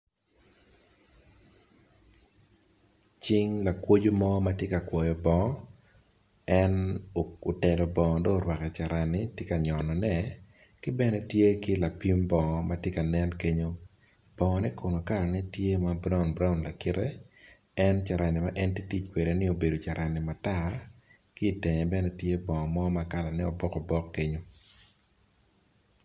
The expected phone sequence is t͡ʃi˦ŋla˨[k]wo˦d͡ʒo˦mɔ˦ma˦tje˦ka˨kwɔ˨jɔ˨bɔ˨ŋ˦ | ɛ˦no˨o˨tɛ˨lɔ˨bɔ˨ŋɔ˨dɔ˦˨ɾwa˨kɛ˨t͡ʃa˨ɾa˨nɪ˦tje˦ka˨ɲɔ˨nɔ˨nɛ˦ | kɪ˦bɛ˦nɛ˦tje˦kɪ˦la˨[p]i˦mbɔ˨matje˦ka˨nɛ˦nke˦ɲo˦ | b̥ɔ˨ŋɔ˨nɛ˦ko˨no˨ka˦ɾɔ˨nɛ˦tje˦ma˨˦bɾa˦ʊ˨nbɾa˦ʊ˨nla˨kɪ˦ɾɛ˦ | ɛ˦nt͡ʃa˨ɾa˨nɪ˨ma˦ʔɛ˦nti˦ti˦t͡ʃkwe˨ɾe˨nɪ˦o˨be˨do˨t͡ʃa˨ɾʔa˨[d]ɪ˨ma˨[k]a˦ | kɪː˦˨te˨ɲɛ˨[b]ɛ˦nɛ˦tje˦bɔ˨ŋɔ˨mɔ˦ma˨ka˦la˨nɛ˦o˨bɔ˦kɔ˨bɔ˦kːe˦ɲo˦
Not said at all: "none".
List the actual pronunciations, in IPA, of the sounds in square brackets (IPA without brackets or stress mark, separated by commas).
k, p, n, t, b